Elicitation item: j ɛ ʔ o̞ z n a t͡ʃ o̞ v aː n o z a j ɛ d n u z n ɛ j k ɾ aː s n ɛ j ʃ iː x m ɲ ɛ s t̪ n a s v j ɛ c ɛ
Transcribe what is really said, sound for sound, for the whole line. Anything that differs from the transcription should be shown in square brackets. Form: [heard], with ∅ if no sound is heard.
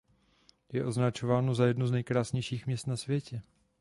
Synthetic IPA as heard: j ɛ ʔ o̞ z n a t͡ʃ o̞ v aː n o z a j ɛ d n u z n ɛ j k ɾ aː s [ɲ] ɛ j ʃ iː x m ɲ ɛ s t̪ n a s v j ɛ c ɛ